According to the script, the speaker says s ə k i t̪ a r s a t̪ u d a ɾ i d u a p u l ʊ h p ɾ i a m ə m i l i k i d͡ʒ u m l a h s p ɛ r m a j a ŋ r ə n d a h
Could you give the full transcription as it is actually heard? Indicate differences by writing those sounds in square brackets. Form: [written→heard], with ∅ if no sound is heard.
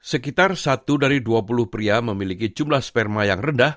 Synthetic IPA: s ə k i t̪ a r s a t̪ u d a ɾ i d u a p u l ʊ h p ɾ i a m ə m i l i k i d͡ʒ u m l a h s p ɛ r m a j a ŋ r ə n d a h

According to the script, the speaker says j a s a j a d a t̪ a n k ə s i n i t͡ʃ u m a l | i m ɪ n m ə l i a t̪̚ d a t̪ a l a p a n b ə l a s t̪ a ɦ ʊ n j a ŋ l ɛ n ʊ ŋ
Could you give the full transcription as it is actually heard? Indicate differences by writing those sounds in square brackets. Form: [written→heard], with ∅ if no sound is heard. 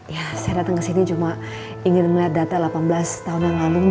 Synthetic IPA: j a s a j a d a t̪ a [n→ŋ] k ə s i n i t͡ʃ u m a [l→∅] | i [m→ŋ] ɪ n m ə l i a t̪̚ d a t̪ a l a p a n b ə l a s t̪ a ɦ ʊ n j a ŋ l [ɛ→a] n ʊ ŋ

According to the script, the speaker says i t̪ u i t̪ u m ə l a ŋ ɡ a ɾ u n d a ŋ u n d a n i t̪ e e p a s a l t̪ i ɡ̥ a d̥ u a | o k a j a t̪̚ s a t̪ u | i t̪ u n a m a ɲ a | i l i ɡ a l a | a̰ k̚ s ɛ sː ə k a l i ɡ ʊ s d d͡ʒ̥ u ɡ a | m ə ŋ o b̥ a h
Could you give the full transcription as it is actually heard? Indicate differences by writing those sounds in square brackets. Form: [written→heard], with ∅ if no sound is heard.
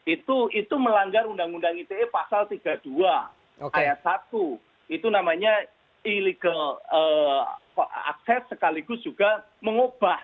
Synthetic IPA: i t̪ u i t̪ u m ə l a ŋ ɡ a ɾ u n d a ŋ u n d a [n→ŋ] i t̪ e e p a s a l t̪ i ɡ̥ a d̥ u a | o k a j a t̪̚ s a t̪ u | i t̪ u n a m a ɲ a | i l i ɡ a l [a→ə] | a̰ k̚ s ɛ sː ə k a l i ɡ ʊ s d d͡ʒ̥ u ɡ a | m ə ŋ o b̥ a h

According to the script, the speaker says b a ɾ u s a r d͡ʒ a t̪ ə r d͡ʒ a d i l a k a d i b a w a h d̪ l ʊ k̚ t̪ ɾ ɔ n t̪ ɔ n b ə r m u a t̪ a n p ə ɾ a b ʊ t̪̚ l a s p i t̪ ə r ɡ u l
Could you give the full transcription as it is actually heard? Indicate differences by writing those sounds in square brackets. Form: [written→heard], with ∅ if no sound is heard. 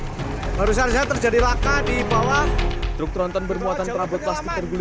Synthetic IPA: b a ɾ u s a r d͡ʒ a t̪ ə r d͡ʒ a d i l a k a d i b a w a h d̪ [l→ɾ] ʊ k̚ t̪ ɾ ɔ n t̪ ɔ n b ə r m u a t̪ a n p ə ɾ a b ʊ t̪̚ l a s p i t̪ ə r ɡ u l

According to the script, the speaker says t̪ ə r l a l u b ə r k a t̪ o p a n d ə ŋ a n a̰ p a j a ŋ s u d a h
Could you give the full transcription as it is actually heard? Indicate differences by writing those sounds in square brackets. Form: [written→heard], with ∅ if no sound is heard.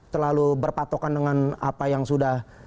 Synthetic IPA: t̪ ə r l a l u b ə r [k→p] a t̪ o [p→k] a n d ə ŋ a n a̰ p a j a ŋ s u d a h

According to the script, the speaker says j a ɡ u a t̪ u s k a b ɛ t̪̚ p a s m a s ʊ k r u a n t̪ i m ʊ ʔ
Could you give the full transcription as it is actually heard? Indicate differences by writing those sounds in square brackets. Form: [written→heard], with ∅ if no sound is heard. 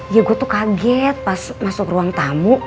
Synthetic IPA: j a ɡ u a t̪ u [s→∅] k a [b→ɡ] ɛ t̪̚ p a s m a s ʊ k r u a [n→ŋ] t̪ [i→a] m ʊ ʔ

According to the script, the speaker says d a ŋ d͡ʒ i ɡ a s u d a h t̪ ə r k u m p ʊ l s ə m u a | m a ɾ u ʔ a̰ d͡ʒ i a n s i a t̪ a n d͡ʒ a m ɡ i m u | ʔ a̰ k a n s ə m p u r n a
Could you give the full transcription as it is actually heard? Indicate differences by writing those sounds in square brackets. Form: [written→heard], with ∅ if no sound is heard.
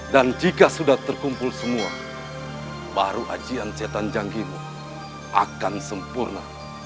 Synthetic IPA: d a [ŋ→n] d͡ʒ i [ɡ→k] a s u d a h t̪ ə r k u m p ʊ l s ə m u a | [m→b] a ɾ u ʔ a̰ d͡ʒ i a n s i a t̪ a n d͡ʒ a [m→ŋ] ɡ i m u | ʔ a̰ k a n s ə m p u r n a

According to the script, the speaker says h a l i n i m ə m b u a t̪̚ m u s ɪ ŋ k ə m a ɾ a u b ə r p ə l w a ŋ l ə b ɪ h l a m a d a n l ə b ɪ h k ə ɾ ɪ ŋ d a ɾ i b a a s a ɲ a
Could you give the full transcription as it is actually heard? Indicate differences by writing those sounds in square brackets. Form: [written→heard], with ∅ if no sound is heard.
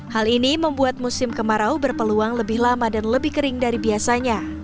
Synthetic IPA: h a l i n i m ə m b u a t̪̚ m u s ɪ [ŋ→m] k ə m a ɾ a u b ə r p ə l [w→u] a ŋ l ə b ɪ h l a m a d a n l ə b ɪ h k ə ɾ ɪ ŋ d a ɾ i b [a→i] a s a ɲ a

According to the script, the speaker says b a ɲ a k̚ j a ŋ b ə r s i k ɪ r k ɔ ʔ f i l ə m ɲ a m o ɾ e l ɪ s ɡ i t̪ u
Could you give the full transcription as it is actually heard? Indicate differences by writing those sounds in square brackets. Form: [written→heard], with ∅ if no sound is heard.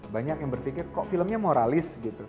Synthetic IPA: b a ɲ a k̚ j a ŋ b ə r [s→f] i k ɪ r k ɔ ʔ f i l ə m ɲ a m o ɾ [e→a] l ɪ s ɡ i t̪ u

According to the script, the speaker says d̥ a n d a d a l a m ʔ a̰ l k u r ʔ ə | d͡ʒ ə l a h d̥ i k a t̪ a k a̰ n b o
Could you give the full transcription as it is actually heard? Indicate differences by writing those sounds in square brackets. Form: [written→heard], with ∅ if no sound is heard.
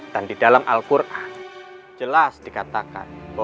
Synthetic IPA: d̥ a n d [a→i] d a l a m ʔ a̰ l k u r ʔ [ə→a] | d͡ʒ ə l a [h→s] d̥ i k a t̪ a k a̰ n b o

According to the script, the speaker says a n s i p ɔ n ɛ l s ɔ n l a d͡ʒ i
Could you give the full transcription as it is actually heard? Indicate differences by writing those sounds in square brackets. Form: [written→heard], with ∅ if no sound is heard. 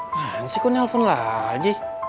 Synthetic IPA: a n s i [p→k] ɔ n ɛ l [s→f] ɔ n l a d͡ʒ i

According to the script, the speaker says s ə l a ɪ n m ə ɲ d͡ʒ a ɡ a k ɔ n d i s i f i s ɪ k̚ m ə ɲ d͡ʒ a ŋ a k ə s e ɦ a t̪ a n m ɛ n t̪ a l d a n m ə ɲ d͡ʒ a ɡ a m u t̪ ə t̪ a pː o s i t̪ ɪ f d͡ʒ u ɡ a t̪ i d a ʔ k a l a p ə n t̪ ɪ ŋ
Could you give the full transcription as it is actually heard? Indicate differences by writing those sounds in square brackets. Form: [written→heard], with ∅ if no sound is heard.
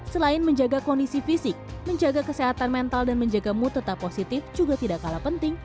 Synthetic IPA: s ə l a ɪ n m ə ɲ d͡ʒ a ɡ a k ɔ n d i s i f i s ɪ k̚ m ə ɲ d͡ʒ a [ŋ→ɡ] a k ə s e ɦ a t̪ a n m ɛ n t̪ a l d a n m ə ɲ d͡ʒ a ɡ a m u t̪ ə t̪ a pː o s i t̪ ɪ f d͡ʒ u ɡ a t̪ i d a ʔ k a l a p ə n t̪ ɪ ŋ

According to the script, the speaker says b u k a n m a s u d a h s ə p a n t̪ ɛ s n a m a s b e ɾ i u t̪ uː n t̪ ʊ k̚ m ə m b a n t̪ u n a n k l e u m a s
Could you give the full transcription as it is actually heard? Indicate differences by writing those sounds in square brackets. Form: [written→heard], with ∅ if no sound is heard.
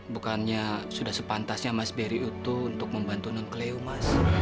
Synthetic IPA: b u k a n [m→ɲ] a s u d a h s ə p a n t̪ [ɛ→a] s [n→ɲ] a m a s b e ɾ i u t̪ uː n t̪ ʊ k̚ m ə m b a n t̪ u n a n k l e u m a s

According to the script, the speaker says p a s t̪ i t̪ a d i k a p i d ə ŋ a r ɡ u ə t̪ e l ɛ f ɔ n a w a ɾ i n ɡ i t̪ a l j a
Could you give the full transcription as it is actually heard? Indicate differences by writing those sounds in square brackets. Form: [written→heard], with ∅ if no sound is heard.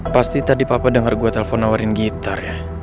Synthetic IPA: p a s t̪ i t̪ a d i [k→p] a p [i→a] d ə ŋ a r ɡ u [ə→a] t̪ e l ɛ f ɔ n a w a ɾ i n ɡ i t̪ a [l→r] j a

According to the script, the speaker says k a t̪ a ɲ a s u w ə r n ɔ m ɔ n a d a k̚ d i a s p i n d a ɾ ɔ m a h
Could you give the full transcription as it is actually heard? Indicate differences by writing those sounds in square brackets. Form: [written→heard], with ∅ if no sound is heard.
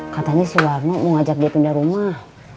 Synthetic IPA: k a t̪ a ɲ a s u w [ə→a] r n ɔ m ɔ [n→ŋ] a [d→d͡ʒ] a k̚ d i a [s→∅] p i n d a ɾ [ɔ→u] m a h

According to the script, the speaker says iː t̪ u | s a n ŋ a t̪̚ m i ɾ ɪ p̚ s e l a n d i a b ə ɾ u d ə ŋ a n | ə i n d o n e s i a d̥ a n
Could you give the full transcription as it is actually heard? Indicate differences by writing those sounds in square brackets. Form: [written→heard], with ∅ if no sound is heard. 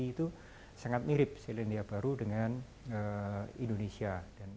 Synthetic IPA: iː t̪ u | s a [n→∅] ŋ a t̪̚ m i ɾ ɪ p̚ s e l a n d i a b [ə→a] ɾ u d ə ŋ a n | ə i n d o n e s i a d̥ a n

